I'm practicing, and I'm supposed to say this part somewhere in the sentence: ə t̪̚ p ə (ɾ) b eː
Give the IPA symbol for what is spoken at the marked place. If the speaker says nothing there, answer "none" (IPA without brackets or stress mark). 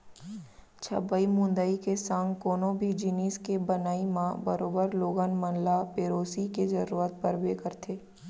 ɾ